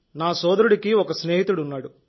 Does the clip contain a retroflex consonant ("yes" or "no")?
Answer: yes